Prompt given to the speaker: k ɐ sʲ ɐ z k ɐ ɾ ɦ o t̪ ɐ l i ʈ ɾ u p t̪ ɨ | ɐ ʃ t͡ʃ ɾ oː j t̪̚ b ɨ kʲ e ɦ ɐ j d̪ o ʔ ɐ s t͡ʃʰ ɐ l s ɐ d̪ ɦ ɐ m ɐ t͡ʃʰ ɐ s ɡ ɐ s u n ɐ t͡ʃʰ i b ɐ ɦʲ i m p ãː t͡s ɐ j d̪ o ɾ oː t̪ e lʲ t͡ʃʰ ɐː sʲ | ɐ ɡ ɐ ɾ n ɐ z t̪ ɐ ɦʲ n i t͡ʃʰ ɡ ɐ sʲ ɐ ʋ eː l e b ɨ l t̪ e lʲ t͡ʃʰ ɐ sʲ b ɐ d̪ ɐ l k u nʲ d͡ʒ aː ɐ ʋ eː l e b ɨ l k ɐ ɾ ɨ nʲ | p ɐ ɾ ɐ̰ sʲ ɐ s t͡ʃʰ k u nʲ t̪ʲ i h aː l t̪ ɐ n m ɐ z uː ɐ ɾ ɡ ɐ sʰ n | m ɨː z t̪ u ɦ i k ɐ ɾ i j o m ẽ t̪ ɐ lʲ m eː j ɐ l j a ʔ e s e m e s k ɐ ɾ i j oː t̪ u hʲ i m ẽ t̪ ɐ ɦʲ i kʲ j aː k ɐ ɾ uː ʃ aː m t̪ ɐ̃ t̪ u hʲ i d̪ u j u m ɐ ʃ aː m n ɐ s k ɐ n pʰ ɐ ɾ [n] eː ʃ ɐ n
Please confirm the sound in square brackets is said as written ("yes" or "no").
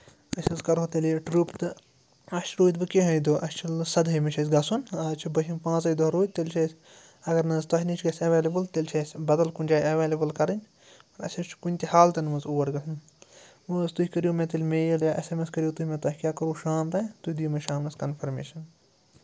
no